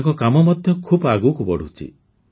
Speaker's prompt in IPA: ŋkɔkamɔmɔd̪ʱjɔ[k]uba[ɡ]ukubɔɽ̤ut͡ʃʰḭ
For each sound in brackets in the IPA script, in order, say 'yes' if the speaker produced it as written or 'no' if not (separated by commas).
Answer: no, yes